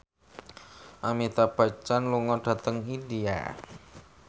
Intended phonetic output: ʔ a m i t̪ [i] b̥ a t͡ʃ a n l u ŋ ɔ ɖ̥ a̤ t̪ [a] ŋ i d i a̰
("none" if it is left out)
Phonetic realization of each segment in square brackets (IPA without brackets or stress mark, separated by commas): a, ə